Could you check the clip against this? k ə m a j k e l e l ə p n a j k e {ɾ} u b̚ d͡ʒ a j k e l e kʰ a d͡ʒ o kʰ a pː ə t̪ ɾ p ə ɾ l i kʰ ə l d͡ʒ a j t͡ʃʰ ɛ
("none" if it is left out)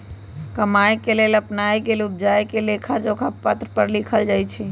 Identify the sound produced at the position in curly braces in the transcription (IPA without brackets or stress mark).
l